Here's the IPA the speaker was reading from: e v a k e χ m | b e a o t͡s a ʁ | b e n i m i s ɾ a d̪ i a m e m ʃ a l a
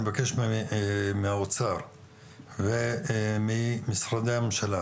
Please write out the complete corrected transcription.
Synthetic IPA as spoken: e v a k e ʃ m | m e a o t͡s a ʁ | v e m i m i s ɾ a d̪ e a m e m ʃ a l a

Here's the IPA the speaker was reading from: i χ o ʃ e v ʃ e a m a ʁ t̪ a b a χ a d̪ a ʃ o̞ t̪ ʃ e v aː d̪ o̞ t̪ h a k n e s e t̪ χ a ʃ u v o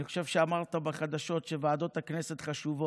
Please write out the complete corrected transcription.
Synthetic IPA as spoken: i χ o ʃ e v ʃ e a m a ʁ t̪ a b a χ a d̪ a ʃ o̞ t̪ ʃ e v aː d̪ o̞ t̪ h a k n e s e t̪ χ a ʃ u v o

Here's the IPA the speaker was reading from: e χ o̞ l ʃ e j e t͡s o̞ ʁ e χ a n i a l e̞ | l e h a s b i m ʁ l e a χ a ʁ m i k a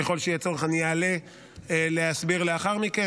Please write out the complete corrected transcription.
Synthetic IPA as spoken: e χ o̞ l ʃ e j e t͡s o̞ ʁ e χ a n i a l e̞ | l e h a s b i ʁ l e a χ a ʁ m i k e

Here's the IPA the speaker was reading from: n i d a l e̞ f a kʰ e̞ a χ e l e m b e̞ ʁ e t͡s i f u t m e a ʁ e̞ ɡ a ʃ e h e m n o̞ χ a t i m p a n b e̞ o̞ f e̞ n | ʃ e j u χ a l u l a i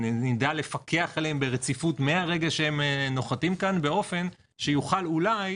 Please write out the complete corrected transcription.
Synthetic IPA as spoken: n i d a l e̞ f a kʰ e̞ a χ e l e m b e̞ ʁ e t͡s i f u t m e a ʁ e̞ ɡ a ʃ e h e m n o̞ χ a t i m k a n b e̞ o̞ f e̞ n | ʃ e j u χ a l u l a j

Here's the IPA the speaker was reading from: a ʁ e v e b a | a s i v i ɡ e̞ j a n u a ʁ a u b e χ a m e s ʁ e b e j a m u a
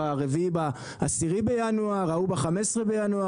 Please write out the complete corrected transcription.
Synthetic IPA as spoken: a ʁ e v i b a | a s i ʁ i b e̞ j a n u a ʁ a u b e χ a m e s ʁ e b e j a n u a

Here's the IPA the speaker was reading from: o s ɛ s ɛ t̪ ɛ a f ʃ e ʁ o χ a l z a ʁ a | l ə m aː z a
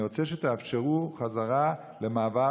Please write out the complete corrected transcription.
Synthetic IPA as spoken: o t͡s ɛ ʃ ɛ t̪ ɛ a f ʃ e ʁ u χ a z a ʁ a | l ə m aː v a

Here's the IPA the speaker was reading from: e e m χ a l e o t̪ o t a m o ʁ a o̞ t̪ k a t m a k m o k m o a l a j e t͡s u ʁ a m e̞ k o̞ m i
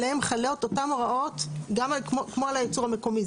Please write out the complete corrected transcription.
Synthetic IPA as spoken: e e m χ a l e o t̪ o t a m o ʁ a o̞ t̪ ɡ a m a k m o k m o a l a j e t͡s u ʁ a m e̞ k o̞ m i

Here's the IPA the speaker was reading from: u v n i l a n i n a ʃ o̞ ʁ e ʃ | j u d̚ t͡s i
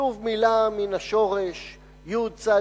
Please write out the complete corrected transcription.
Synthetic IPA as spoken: u v m i l a m i n a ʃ o̞ ʁ e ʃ | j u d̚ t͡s a

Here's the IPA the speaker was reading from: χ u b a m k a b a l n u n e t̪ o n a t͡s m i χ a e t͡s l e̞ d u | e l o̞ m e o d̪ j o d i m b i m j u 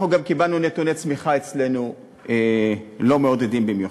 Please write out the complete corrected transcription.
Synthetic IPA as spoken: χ u ɡ a m k i b a l n u n e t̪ u n e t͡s m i χ a e t͡s l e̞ n u | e l o̞ m e o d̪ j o d i m b i m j u

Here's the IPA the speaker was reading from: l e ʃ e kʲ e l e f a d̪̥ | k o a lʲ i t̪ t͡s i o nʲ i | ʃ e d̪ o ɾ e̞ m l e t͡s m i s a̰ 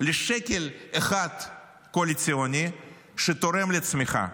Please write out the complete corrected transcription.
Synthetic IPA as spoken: l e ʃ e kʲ e l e χ a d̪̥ | k o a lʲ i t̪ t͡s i o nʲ i | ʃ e t̪ o ɾ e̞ m l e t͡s m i χ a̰

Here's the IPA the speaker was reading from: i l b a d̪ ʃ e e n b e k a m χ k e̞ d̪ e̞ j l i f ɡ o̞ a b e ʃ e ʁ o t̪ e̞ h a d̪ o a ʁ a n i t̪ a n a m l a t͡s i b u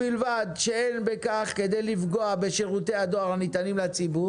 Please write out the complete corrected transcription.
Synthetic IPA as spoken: i l v a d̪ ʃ e e n b e k a χ k e̞ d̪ e̞ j l i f ɡ o̞ a b e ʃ e ʁ u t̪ e̞ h a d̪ o a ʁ a n i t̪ a n i m l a t͡s i b u

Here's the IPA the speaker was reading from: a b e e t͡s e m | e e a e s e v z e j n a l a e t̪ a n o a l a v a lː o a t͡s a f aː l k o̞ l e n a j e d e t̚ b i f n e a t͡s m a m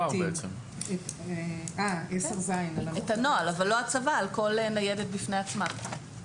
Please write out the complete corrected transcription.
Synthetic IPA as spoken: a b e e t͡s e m | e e a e s e ʁ z a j n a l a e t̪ a n o a l a v a lː o a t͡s a v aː l k o̞ l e n a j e d e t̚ b i f n e a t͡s m a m

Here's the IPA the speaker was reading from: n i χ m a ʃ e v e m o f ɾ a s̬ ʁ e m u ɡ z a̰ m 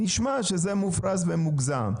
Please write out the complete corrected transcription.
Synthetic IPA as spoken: n i ʃ m a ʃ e z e m u f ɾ a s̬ v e m u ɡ z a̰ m

